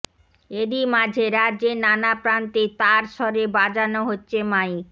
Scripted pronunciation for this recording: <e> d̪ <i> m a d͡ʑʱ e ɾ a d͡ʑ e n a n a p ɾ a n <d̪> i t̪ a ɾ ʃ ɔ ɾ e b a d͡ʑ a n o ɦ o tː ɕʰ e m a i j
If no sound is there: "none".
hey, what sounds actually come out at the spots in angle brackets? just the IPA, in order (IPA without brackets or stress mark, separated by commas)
e, i, t̪